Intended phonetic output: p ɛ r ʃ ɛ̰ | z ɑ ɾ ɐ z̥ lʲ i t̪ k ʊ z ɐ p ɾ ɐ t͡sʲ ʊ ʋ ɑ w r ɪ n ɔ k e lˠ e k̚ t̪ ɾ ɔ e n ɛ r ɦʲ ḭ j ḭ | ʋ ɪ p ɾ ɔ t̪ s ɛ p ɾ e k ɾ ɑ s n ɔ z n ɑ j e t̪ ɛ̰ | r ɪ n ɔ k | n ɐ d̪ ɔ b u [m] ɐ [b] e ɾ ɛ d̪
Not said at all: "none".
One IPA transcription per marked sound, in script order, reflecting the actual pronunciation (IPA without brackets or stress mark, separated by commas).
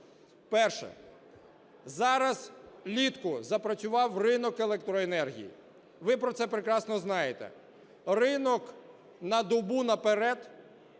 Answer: n, p